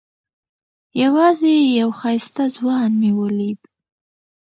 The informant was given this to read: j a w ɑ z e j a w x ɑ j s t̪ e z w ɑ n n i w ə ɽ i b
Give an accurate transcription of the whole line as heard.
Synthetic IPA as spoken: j a w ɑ z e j a w x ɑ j s t̪ a z w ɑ n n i w ə l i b